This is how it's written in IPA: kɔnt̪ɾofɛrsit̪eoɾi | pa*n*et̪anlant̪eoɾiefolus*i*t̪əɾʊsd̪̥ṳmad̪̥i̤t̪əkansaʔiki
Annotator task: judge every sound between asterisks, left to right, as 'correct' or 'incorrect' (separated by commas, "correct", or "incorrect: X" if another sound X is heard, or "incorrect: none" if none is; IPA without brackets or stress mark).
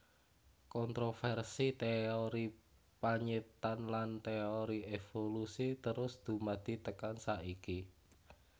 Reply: incorrect: ɲ, correct